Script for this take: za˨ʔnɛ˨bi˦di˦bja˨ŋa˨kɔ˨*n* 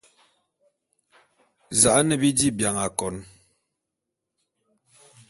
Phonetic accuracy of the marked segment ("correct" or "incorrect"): correct